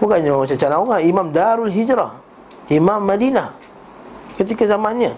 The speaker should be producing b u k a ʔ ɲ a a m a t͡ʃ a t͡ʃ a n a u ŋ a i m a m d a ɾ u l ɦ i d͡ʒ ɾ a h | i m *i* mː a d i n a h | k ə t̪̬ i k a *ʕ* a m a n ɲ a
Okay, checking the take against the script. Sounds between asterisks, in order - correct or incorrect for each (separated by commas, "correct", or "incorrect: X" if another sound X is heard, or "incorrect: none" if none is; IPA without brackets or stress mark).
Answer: incorrect: a, incorrect: z